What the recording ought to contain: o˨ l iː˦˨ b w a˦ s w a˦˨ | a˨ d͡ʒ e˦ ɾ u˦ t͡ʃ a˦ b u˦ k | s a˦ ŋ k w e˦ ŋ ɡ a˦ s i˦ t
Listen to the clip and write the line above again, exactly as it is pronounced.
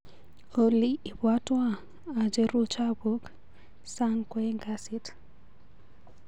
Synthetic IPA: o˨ l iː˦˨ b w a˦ t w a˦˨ | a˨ d͡ʒ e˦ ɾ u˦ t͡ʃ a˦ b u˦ k | s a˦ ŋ k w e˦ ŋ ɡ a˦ s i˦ t